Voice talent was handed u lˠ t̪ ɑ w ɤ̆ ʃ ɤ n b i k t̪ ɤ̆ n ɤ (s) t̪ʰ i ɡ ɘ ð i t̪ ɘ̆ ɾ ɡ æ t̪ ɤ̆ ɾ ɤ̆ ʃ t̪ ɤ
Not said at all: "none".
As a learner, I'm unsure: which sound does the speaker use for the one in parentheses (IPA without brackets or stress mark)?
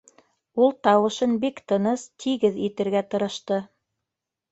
s